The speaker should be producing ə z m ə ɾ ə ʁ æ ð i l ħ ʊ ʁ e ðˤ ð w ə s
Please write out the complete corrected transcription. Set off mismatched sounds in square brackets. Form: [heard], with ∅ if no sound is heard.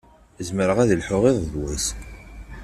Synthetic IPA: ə z m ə ɾ ə ʁ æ ð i l ħ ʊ ʁ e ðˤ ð w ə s